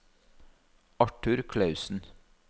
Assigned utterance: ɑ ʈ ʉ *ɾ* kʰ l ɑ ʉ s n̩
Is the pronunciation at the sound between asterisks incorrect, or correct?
correct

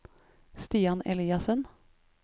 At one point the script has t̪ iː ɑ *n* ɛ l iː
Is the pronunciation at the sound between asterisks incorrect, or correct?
correct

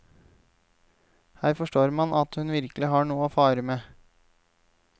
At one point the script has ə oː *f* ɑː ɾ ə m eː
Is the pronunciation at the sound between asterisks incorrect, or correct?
correct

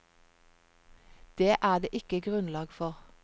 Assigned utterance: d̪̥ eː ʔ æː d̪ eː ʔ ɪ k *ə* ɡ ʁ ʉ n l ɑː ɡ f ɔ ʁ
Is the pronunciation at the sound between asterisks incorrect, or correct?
correct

